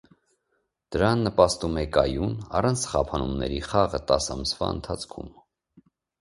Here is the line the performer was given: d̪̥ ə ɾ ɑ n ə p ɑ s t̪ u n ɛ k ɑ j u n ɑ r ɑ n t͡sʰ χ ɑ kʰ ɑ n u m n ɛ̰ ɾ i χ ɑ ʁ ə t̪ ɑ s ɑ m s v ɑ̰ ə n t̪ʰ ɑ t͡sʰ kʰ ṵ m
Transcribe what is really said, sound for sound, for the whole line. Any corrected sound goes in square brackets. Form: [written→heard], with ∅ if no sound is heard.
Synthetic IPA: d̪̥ ə ɾ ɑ [n→nː] ə p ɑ s t̪ u [n→m] ɛ k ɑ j u n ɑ r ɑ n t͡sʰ χ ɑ [kʰ→pʰ] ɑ n u m n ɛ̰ ɾ i χ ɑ ʁ ə t̪ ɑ s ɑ m s v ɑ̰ ə n t̪ʰ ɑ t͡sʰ kʰ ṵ m

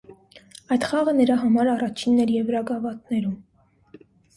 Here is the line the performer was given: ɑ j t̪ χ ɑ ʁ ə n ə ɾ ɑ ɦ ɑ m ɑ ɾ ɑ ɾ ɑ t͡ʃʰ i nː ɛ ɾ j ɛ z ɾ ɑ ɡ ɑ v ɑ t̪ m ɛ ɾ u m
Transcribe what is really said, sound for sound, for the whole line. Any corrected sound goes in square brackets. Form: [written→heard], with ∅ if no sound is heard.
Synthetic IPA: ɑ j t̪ χ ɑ ʁ ə n ə ɾ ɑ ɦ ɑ m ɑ ɾ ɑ [ɾ→r] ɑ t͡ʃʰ i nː ɛ ɾ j ɛ [z→v] ɾ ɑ ɡ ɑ v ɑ t̪ [m→n] ɛ ɾ u m

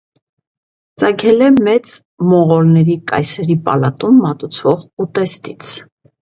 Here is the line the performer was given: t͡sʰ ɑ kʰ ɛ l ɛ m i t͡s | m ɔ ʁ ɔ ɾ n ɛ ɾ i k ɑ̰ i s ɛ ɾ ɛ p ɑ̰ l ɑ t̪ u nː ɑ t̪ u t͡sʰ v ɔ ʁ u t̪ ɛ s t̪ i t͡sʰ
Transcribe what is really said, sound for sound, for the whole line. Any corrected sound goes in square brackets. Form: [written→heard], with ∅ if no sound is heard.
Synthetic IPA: [t͡sʰ→t͡s] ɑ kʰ ɛ l ɛ m [i→ɛ] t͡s | m ɔ ʁ ɔ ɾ n ɛ ɾ i k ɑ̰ [i→j] s ɛ ɾ [ɛ→i] p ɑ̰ l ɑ t̪ u [nː→mː] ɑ t̪ u t͡sʰ v ɔ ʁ u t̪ ɛ s t̪ i t͡sʰ

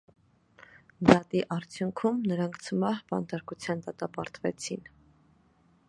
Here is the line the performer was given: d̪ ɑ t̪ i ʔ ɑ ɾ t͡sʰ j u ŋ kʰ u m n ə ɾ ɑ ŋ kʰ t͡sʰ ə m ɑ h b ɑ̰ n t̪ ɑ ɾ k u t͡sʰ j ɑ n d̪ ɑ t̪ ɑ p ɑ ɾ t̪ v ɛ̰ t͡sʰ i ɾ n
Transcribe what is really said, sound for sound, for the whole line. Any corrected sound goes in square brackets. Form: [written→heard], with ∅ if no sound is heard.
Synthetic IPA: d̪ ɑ t̪ i ʔ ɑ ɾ t͡sʰ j u ŋ kʰ u m n ə ɾ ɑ ŋ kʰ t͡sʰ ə m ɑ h b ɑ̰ n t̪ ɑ ɾ k u t͡sʰ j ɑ n d̪ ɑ t̪ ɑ p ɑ ɾ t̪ v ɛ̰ t͡sʰ i [ɾ→∅] n

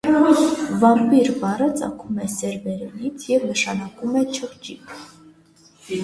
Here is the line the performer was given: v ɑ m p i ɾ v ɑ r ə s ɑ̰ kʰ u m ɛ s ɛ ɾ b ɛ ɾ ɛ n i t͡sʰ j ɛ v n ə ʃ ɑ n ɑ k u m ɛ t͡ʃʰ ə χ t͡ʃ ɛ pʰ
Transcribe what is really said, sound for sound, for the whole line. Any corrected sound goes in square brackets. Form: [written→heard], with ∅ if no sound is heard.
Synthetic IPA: v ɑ m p i ɾ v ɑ r ə [s→t͡s] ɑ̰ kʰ u m ɛ s ɛ ɾ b ɛ ɾ ɛ n i t͡sʰ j ɛ v n ə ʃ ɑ n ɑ k u m ɛ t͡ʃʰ ə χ t͡ʃ [ɛ→i] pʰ

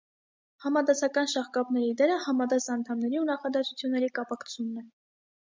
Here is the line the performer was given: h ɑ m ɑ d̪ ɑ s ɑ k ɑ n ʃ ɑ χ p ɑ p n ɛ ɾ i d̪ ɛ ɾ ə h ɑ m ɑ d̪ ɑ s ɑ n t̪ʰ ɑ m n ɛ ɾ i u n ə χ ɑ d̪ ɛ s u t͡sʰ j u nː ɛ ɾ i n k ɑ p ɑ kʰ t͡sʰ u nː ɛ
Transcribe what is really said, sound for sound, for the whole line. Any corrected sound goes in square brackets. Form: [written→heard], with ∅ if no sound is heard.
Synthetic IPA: h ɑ m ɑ d̪ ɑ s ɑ k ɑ n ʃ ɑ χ [p→k] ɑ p n ɛ ɾ i d̪ ɛ ɾ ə h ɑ m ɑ d̪ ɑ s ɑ n t̪ʰ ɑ m n ɛ ɾ i u n [ə→ɑ] χ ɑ d̪ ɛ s u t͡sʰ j u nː ɛ ɾ i [n→∅] k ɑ p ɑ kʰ t͡sʰ u nː ɛ

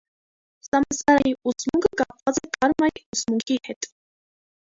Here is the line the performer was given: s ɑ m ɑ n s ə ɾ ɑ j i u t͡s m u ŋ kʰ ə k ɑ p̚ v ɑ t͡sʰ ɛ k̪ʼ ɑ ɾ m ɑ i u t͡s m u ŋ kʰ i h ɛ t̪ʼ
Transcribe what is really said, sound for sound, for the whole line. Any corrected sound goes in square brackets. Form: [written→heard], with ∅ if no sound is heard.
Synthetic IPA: s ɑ m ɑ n s [ə→ɑ] ɾ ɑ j i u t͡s m u ŋ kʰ ə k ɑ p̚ v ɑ [t͡sʰ→t͡s] ɛ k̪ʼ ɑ ɾ m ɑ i u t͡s m u ŋ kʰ i h ɛ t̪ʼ

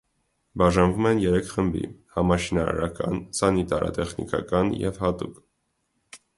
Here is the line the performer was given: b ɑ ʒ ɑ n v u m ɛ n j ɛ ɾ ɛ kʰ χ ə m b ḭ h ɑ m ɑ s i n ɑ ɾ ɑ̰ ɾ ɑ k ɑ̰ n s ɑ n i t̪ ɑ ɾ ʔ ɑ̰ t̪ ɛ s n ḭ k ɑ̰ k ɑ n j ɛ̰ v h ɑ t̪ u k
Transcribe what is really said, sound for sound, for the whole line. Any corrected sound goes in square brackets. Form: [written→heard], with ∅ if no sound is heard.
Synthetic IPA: b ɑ ʒ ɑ n v u m ɛ n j ɛ ɾ ɛ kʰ χ ə m b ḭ h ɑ m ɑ [s→ʃ] i n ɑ ɾ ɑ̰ ɾ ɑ k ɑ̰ n s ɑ n i t̪ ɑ ɾ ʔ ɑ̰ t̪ ɛ [s→χ] n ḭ k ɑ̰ k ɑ n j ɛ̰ v h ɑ t̪ u k

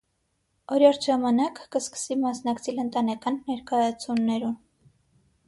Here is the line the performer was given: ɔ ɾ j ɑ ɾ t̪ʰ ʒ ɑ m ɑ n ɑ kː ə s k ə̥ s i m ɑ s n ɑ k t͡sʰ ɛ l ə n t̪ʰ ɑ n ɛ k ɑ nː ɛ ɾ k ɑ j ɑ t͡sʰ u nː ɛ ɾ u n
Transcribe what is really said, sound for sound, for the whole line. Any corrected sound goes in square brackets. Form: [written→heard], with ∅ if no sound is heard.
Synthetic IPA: ɔ ɾ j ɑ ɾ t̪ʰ ʒ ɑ m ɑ n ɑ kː ə s k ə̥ s i m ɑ s n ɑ k t͡sʰ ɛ l ə n [t̪ʰ→t̪] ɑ n ɛ k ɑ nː ɛ ɾ k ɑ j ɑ t͡sʰ u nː ɛ ɾ u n

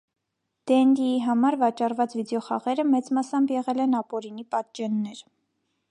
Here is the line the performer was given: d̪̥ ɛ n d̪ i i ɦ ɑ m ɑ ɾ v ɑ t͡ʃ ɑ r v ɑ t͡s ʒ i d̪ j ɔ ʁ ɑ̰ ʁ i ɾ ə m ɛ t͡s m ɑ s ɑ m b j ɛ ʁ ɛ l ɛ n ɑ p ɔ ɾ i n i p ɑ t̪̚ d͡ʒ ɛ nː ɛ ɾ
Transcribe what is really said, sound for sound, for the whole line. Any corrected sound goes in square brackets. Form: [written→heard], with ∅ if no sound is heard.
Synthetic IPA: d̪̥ ɛ n d̪ i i ɦ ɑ m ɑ ɾ v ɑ t͡ʃ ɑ r v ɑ t͡s [ʒ→v] i d̪ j ɔ [ʁ→χ] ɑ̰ ʁ [i→ɛ] ɾ ə m ɛ t͡s m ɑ s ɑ m b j ɛ ʁ ɛ l ɛ n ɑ p ɔ ɾ i n i p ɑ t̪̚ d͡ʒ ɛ nː ɛ ɾ

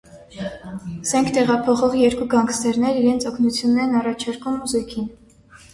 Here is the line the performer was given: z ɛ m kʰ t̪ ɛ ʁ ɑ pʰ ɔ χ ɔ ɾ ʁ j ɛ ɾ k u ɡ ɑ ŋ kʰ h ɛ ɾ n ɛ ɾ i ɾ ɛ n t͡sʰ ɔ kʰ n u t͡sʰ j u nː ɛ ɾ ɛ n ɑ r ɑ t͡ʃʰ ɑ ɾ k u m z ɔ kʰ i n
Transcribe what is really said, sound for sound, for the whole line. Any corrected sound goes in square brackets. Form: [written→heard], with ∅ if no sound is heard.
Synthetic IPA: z ɛ [m→ŋ] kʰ t̪ ɛ ʁ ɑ pʰ ɔ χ ɔ [ɾ→∅] ʁ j ɛ ɾ k u ɡ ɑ ŋ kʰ [h→s] ɛ ɾ n ɛ ɾ i ɾ ɛ n t͡sʰ ɔ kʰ n u t͡sʰ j u nː ɛ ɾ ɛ n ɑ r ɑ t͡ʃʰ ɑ ɾ k u m z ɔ kʰ i n

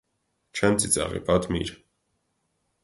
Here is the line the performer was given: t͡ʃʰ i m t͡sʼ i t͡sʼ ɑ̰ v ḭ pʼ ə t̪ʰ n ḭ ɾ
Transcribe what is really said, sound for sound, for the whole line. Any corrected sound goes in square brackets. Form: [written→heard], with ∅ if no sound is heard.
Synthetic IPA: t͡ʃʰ [i→ɛ] m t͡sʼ i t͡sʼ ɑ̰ [v→ʁ] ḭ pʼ [ə→ɑ] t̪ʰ [n→m] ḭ ɾ

